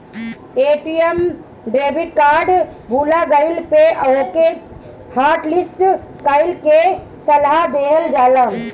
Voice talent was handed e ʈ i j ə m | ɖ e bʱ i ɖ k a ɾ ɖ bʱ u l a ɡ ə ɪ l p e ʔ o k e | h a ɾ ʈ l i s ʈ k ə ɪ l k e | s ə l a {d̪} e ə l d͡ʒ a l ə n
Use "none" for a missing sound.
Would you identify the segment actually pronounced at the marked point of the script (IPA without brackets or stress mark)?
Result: d̪